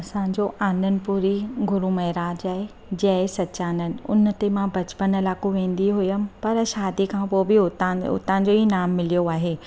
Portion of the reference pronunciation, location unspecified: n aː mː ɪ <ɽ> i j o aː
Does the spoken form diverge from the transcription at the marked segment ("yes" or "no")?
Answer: yes